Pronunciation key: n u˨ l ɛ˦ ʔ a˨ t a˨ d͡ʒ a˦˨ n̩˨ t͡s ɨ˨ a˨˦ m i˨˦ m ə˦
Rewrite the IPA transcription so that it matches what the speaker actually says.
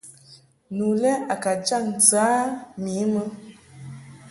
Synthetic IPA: n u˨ l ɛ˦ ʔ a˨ k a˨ d͡ʒ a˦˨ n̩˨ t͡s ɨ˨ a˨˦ m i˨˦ m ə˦